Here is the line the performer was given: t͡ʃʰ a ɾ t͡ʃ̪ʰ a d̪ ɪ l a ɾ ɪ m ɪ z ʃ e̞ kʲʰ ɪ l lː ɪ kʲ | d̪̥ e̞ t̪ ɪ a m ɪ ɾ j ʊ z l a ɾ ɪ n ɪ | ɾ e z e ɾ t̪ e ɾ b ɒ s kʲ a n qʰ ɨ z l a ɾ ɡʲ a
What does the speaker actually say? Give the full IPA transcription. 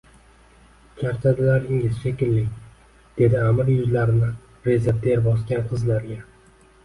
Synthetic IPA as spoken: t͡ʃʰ a ɾ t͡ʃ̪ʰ a d̪ ɪ l a ɾ ɪ ŋ ɪ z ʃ e̞ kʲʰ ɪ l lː ɪ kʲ | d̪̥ e̞ d̪ ɪ a m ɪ ɾ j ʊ z l a ɾ ɪ n ɪ | ɾ e z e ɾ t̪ e ɾ b ɒ s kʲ a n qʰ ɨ z l a ɾ ɡʲ a